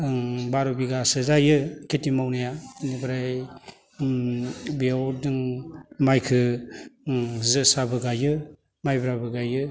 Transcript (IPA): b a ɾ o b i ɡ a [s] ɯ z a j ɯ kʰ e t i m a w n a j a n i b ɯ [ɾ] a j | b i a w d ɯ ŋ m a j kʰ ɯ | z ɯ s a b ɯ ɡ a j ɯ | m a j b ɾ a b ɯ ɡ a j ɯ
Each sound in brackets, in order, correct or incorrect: correct, correct

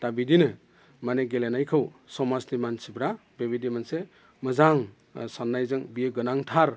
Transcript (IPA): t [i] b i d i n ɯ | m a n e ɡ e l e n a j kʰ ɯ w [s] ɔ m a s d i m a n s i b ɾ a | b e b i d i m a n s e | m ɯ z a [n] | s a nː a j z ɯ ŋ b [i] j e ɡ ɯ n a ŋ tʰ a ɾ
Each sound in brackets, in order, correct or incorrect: incorrect: a, correct, incorrect: ŋ, correct

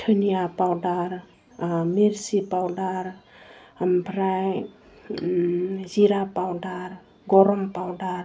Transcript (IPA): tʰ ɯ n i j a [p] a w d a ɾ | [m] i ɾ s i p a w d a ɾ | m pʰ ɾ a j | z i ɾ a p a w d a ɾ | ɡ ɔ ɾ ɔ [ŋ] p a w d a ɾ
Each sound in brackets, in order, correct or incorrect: correct, correct, incorrect: m

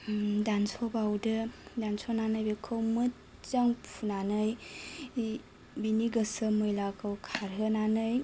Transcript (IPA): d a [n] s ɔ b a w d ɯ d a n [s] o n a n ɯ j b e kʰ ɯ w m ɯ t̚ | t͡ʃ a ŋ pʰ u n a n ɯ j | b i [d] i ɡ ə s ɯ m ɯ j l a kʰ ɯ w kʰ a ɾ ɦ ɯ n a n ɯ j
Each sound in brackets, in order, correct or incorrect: correct, correct, incorrect: n

